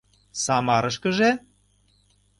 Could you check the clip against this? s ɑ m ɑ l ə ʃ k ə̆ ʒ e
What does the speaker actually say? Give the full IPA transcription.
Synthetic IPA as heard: s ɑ m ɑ ɾ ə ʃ k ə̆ ʒ e